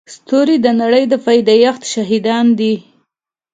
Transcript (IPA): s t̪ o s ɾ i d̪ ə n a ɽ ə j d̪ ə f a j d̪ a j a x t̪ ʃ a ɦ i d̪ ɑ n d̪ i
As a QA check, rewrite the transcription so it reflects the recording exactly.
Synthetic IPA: s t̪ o ɾ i d̪ ə n a ɽ ə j d̪ ə f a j d̪ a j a x t̪ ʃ a ɦ i d̪ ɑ n d̪ i